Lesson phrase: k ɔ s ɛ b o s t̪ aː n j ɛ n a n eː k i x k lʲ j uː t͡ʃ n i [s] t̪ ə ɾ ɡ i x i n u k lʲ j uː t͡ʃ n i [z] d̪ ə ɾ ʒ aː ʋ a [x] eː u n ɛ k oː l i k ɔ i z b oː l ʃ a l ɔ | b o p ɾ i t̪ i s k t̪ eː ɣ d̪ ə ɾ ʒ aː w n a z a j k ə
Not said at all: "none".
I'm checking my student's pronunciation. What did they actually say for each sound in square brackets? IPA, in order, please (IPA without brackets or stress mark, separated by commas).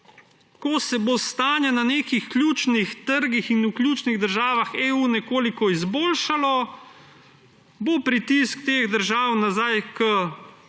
x, ɣ, x